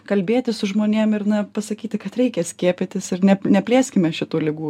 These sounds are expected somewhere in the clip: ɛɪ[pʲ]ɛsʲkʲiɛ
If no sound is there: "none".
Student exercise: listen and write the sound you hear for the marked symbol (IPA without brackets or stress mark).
kʲ